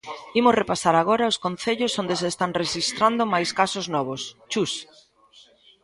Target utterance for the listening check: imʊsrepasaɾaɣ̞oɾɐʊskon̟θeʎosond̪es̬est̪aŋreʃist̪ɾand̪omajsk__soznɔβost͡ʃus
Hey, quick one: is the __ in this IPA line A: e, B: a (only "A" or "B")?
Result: B